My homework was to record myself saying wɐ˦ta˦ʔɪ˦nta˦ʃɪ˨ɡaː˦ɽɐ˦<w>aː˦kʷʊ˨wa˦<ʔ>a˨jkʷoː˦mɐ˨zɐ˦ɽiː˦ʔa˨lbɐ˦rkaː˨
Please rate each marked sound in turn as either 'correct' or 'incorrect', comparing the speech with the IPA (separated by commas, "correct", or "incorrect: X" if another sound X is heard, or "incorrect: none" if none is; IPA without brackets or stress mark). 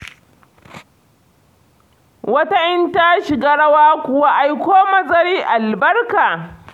correct, correct